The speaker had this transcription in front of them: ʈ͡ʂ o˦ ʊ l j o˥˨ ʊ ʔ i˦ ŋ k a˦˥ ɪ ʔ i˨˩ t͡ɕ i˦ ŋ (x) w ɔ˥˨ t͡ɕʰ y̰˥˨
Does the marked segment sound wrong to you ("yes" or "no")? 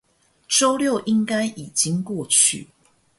yes